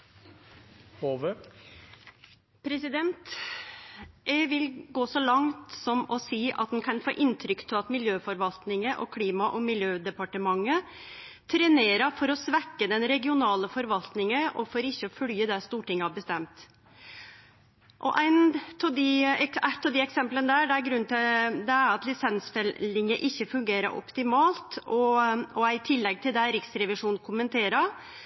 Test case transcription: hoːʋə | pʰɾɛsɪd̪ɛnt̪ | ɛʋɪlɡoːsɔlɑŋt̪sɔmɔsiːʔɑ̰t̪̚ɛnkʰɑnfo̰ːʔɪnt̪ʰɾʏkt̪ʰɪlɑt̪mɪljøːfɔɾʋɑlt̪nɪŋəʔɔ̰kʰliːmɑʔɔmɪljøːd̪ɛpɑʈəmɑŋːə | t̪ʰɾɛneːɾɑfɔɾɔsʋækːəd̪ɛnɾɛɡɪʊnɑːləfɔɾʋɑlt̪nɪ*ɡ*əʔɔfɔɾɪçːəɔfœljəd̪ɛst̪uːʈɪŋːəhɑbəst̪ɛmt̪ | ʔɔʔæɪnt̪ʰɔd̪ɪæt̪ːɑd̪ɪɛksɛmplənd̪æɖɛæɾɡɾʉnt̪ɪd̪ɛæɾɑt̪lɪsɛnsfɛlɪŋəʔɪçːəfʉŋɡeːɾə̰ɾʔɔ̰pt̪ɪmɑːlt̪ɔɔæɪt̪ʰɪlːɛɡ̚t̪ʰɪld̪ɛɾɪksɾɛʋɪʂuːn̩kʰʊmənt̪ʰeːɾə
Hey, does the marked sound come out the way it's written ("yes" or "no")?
no